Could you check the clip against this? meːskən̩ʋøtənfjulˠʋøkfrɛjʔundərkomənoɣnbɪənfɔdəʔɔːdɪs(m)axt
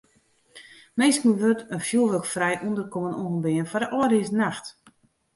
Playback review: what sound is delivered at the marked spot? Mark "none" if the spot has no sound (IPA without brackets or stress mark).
n